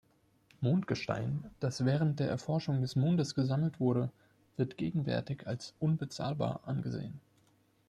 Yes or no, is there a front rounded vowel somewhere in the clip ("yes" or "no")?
no